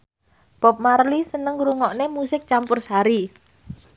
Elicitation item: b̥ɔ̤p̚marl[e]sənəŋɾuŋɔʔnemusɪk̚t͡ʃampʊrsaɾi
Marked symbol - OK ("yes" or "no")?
no